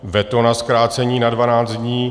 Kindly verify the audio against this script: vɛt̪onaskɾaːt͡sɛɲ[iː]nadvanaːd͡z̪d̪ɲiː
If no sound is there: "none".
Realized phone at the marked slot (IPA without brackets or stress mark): iː